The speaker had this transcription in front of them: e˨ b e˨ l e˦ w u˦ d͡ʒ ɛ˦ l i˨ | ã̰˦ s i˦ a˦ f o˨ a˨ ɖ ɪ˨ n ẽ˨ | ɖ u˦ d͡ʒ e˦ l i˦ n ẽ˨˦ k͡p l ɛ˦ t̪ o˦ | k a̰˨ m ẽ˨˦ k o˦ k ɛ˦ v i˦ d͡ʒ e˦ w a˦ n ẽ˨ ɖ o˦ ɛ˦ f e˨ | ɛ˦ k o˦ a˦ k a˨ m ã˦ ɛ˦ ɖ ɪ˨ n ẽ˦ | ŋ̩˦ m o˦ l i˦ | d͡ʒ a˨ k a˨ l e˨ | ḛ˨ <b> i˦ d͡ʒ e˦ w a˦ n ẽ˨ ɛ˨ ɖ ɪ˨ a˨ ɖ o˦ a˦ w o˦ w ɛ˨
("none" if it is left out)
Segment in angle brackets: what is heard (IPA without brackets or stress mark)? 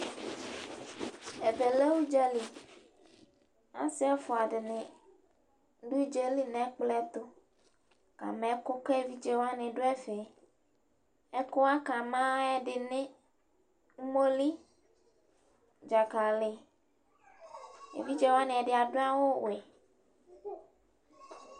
v